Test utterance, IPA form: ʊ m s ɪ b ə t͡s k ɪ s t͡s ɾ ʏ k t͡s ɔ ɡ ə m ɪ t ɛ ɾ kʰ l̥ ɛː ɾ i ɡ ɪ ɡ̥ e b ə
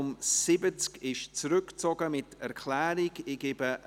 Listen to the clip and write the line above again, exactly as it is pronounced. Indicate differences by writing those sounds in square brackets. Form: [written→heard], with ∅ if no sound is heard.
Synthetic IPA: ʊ m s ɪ b ə t͡s k ɪ [s→ʃ] t͡s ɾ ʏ k t͡s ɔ ɡ ə m ɪ t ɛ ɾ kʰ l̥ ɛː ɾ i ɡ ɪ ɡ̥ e b ə